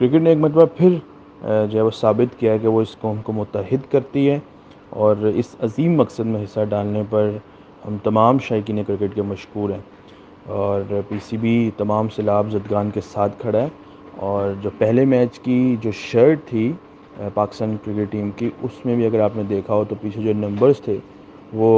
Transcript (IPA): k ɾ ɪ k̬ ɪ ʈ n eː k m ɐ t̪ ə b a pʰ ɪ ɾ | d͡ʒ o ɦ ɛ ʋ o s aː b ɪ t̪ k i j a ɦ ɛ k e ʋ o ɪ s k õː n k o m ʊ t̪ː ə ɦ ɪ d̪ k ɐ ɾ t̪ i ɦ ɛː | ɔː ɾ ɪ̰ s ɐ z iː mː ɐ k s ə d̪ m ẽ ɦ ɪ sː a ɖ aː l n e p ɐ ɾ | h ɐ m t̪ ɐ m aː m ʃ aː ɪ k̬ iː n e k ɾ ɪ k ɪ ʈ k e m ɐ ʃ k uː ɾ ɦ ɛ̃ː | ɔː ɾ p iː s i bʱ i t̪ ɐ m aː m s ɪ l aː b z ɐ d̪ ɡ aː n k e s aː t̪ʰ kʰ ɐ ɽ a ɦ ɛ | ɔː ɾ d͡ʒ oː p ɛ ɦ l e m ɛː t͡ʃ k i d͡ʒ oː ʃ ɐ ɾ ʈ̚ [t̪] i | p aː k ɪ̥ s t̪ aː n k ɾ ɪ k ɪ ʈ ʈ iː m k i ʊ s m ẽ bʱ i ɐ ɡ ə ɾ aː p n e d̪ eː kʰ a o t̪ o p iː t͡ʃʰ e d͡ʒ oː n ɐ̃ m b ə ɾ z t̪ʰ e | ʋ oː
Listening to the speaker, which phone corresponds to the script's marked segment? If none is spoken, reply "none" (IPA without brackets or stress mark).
t̪ʰ